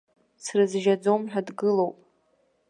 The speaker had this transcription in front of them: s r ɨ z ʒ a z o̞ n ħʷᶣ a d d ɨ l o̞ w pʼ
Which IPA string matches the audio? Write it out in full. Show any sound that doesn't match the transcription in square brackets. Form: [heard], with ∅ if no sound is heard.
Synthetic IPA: s r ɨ z ʒ a [d͡z] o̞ [m] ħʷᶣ a d [ɡ] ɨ l o̞ w pʼ